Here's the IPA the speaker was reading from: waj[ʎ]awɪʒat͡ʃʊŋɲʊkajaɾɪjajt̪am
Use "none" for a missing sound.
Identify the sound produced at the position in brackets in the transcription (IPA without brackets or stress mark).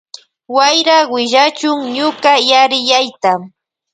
ɾ